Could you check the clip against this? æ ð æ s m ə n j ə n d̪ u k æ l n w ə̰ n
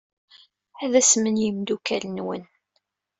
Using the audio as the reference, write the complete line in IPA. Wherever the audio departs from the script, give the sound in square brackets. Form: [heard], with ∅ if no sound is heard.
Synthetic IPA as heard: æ ð æ s m ə n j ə [m] d̪ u k æ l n w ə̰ n